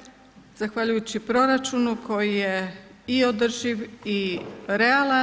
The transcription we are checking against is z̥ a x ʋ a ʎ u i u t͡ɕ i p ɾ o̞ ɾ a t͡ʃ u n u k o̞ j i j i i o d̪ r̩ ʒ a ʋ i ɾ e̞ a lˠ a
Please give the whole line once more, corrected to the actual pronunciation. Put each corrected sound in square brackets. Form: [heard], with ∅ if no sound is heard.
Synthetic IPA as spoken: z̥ a x ʋ a ʎ u [j] u t͡ɕ i p ɾ o̞ ɾ a t͡ʃ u n u k o̞ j i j [e] i o d̪ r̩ ʒ [i] ʋ i ɾ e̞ a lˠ a